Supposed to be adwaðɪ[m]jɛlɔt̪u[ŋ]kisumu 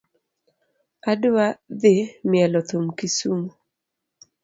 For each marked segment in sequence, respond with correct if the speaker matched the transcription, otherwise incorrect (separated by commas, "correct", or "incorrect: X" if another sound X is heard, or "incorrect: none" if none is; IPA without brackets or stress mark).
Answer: correct, incorrect: m